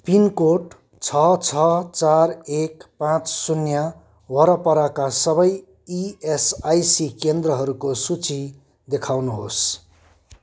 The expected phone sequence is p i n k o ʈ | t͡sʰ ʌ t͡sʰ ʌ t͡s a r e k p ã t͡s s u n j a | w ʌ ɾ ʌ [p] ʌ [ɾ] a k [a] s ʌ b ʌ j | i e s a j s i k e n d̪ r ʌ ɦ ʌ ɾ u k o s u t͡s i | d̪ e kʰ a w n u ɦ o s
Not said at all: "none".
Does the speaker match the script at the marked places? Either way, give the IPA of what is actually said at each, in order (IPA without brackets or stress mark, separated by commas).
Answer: p, ɾ, a